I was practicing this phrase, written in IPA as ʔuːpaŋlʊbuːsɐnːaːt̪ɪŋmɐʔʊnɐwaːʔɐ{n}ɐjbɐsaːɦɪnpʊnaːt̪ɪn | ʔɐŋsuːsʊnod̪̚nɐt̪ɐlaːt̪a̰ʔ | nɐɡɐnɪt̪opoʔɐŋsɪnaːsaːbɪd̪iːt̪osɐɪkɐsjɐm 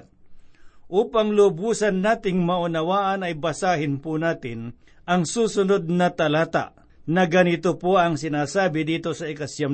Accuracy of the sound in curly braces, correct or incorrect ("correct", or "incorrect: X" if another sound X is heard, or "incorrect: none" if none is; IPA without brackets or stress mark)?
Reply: correct